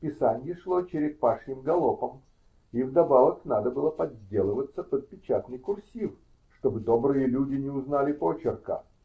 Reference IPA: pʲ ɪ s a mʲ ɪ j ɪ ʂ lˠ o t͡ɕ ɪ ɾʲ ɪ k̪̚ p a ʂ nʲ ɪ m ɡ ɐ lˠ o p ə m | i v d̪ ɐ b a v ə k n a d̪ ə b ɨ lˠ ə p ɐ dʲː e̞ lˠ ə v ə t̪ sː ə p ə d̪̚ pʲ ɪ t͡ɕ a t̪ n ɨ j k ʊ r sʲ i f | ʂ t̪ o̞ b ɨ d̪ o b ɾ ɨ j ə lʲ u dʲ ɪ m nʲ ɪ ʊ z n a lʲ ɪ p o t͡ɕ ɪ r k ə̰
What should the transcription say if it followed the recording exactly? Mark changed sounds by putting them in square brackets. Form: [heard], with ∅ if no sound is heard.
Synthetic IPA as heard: pʲ ɪ s a [nʲ] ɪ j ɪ ʂ lˠ o t͡ɕ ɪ ɾʲ ɪ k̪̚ p a ʂ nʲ ɪ m ɡ ɐ lˠ o p ə m | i v d̪ ɐ b a v ə k n a d̪ ə b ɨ lˠ ə p ɐ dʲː e̞ lˠ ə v ə t̪ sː ə p ə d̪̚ pʲ ɪ t͡ɕ a t̪ n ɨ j k ʊ r sʲ i f | ʂ t̪ o̞ b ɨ d̪ o b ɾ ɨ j ə lʲ u dʲ ɪ [∅] nʲ ɪ ʊ z n a lʲ ɪ p o t͡ɕ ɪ r k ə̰

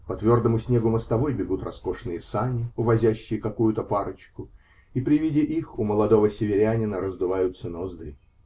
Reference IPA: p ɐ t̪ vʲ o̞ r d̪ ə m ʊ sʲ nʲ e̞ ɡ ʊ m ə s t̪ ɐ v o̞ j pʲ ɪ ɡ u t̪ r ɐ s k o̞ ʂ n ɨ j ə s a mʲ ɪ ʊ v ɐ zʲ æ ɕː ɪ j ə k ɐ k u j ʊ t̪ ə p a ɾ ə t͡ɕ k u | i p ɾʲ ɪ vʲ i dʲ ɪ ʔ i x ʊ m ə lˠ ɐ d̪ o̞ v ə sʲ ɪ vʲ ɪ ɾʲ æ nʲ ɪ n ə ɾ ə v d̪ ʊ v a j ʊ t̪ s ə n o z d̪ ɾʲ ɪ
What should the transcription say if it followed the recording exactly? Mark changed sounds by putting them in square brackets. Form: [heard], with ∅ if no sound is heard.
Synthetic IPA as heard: p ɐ t̪ vʲ o̞ r d̪ ə m ʊ sʲ nʲ e̞ ɡ ʊ m ə s t̪ ɐ v o̞ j [bʲ] ɪ ɡ u t̪ r ɐ s k o̞ ʂ n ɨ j ə s a [nʲ] ɪ ʊ v ɐ zʲ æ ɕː ɪ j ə k ɐ k u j ʊ t̪ ə p a ɾ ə t͡ɕ k [ʊ] | i p ɾʲ ɪ vʲ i dʲ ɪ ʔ i x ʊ m ə lˠ ɐ d̪ o̞ v ə sʲ ɪ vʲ ɪ ɾʲ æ nʲ ɪ n ə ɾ ə [z] d̪ ʊ v a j ʊ t̪ s ə n o z d̪ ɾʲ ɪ

